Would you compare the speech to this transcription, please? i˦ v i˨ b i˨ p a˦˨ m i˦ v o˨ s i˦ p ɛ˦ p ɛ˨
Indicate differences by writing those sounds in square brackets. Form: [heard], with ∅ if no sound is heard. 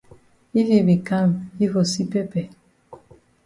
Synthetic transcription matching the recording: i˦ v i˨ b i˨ [k] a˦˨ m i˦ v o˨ s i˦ p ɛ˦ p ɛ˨